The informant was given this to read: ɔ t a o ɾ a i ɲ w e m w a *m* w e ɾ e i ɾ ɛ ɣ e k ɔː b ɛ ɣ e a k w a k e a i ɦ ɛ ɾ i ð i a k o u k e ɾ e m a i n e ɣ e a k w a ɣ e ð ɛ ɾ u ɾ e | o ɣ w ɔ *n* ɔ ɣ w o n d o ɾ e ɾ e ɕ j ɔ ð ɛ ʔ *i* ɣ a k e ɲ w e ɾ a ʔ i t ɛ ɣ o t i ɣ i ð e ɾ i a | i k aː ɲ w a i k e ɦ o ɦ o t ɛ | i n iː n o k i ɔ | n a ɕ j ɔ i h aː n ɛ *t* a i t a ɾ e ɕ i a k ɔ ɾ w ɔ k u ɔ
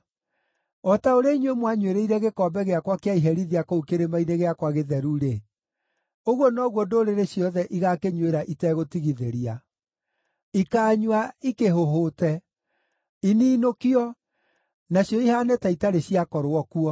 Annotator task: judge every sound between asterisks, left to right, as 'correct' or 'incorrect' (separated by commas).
incorrect, correct, correct, correct